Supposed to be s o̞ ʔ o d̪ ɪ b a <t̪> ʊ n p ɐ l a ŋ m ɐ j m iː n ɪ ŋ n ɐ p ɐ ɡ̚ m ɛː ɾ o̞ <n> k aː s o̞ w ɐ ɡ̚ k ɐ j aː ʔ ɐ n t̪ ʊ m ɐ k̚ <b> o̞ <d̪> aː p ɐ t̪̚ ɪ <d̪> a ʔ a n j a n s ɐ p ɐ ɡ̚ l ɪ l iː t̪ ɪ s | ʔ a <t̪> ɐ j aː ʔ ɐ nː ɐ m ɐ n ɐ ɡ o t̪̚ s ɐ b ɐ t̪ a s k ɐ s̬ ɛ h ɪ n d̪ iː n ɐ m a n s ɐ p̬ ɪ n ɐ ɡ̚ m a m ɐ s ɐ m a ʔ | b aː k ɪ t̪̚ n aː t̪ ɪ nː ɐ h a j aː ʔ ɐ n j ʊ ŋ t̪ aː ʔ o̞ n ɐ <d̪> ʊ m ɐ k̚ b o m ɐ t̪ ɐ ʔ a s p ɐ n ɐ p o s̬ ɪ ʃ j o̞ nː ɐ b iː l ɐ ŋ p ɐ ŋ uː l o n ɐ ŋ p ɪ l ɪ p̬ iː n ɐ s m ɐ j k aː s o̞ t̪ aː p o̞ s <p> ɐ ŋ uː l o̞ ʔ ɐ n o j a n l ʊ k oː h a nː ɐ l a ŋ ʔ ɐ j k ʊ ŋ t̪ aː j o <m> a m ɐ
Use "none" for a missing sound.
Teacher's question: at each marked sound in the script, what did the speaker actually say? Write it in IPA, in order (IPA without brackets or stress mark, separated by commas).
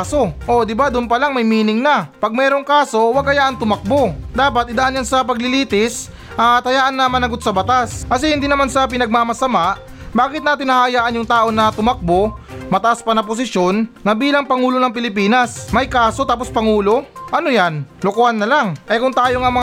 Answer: d̪, ŋ, b, d̪, d̪, t̪, t̪, p, ŋ